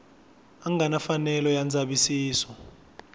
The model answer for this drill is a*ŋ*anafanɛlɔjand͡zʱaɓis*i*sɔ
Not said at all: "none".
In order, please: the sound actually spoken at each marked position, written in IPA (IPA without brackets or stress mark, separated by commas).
ŋ, iː